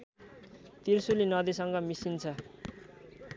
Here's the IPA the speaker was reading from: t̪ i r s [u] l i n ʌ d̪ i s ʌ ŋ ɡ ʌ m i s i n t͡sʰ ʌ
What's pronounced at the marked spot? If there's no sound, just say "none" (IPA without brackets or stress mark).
u